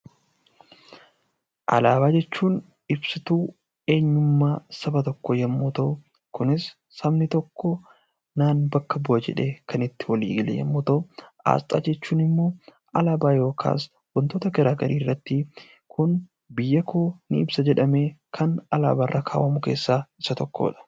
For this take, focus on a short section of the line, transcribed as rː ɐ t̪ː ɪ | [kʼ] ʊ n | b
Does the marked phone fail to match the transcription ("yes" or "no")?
yes